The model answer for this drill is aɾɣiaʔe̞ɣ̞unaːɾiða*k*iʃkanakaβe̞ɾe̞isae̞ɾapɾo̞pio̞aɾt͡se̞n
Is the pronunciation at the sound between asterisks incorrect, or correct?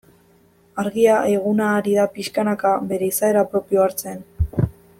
incorrect: p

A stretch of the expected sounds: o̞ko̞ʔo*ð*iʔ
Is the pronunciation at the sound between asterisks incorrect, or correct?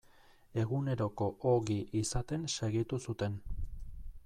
incorrect: ɣ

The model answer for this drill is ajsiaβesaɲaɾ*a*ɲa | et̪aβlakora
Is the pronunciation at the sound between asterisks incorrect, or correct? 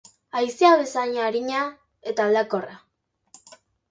incorrect: i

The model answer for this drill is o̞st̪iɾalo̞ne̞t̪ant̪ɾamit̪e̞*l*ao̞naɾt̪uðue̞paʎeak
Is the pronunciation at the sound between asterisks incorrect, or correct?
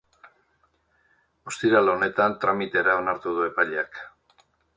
incorrect: ɾ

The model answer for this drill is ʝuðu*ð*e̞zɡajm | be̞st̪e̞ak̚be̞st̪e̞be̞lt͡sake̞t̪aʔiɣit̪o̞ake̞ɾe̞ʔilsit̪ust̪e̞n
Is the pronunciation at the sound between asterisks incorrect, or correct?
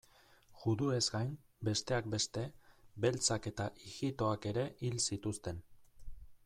incorrect: none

